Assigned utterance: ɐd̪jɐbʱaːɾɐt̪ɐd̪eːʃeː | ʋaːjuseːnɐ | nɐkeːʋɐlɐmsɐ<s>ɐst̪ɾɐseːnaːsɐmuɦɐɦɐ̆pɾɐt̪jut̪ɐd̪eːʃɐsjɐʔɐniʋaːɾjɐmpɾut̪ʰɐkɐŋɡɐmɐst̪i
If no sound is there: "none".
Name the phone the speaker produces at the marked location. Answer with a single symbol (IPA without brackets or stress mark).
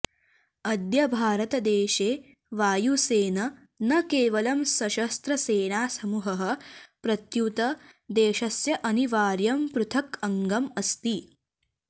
ʃ